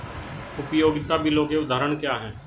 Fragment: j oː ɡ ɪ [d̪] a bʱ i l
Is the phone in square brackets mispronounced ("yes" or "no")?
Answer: yes